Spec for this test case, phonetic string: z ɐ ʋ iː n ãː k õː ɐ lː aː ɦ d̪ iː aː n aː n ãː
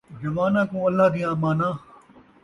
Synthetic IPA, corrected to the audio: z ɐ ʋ aː n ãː k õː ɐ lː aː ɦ d̪ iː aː m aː n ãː